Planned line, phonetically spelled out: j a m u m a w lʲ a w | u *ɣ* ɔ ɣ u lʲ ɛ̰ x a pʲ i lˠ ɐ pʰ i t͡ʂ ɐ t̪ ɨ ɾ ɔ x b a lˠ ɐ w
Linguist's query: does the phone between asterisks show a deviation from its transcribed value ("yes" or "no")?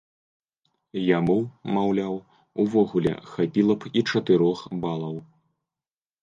yes